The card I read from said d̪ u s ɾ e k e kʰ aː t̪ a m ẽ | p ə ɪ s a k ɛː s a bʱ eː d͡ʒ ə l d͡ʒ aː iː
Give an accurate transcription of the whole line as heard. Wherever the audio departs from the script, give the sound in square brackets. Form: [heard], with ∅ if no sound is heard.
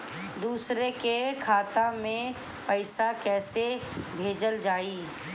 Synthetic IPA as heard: d̪ [uː] s ɾ e k e kʰ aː t̪ a m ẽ | p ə ɪ s a k ɛː s [e] bʱ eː d͡ʒ ə l d͡ʒ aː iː